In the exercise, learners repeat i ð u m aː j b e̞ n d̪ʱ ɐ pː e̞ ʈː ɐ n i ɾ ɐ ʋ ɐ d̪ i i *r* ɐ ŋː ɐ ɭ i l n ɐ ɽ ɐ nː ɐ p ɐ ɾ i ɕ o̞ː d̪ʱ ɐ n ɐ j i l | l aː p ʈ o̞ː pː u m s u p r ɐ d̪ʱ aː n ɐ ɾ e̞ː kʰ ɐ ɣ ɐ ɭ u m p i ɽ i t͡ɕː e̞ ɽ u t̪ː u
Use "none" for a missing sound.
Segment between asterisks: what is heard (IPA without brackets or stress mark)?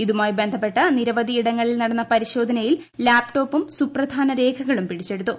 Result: ɽ